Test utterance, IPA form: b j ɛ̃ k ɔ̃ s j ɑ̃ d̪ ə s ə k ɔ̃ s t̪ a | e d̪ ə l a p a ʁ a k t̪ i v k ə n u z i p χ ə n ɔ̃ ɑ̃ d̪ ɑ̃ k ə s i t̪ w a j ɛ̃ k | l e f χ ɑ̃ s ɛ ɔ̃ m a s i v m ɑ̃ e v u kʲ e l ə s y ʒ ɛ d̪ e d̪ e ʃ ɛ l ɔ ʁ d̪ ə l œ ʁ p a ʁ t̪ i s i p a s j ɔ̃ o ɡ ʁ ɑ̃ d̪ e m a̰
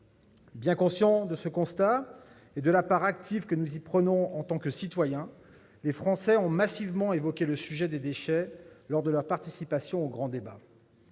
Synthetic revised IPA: b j ɛ̃ k ɔ̃ s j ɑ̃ d̪ ə s ə k ɔ̃ s t̪ a | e d̪ ə l a p a ʁ a k t̪ i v k ə n u z i p χ ə n ɔ̃ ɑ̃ t̪ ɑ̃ k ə s i t̪ w a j ɛ̃ | l e f χ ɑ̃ s ɛ ɔ̃ m a s i v m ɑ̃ e v ɔ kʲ e l ə s y ʒ ɛ d̪ e d̪ e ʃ ɛ l ɔ ʁ d̪ ə l œ ʁ p a ʁ t̪ i s i p a s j ɔ̃ o ɡ ʁ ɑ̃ d̪ e b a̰